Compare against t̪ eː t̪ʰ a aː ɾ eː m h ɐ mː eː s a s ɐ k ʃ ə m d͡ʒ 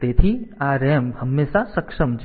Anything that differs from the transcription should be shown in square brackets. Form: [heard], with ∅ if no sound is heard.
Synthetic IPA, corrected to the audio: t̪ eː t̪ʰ [i] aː ɾ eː m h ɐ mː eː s a s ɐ k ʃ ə m d͡ʒ